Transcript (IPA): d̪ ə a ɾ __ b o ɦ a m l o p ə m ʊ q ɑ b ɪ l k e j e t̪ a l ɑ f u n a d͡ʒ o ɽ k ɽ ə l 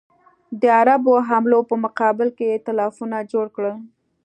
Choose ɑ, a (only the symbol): a